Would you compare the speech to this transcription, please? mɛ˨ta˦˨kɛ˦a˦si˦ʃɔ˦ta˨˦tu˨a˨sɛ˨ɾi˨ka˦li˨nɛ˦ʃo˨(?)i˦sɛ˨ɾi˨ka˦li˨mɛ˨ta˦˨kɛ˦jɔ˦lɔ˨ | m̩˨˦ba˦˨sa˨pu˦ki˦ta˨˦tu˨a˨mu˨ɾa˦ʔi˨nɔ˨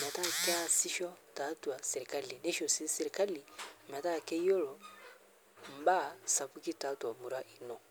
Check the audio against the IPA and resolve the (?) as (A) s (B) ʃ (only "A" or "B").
A